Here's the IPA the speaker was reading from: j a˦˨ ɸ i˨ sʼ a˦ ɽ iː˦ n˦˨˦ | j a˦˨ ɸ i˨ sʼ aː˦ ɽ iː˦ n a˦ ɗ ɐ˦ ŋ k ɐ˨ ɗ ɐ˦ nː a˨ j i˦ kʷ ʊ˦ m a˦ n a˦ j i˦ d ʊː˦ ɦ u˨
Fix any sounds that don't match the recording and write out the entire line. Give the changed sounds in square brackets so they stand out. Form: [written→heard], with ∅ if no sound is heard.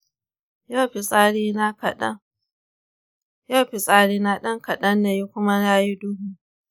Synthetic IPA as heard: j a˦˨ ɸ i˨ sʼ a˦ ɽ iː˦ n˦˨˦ | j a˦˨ ɸ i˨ sʼ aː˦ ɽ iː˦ n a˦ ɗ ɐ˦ ŋ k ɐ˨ ɗ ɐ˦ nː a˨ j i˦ kʷ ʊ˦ m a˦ n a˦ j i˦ d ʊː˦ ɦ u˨